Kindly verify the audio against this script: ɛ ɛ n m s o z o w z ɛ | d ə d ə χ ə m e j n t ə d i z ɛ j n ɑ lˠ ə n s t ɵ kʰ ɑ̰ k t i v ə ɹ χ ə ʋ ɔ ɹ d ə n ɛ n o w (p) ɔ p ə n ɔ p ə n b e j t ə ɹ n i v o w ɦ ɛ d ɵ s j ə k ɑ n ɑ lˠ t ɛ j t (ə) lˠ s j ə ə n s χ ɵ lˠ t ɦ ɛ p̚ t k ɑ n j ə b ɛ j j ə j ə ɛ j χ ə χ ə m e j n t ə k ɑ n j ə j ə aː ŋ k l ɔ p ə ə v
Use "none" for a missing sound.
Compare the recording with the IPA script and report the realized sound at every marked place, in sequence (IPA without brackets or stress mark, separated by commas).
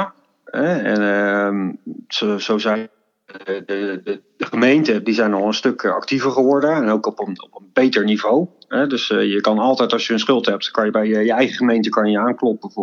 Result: k, ɑ